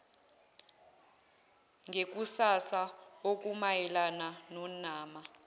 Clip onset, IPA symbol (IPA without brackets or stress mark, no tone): ŋ